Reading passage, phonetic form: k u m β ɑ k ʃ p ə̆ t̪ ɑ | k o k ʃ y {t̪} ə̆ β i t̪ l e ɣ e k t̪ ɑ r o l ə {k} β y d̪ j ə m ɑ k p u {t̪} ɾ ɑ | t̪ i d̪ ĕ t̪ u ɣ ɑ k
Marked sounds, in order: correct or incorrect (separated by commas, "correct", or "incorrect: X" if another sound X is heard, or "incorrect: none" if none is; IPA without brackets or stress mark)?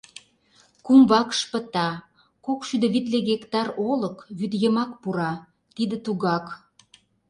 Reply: incorrect: d̪, correct, incorrect: none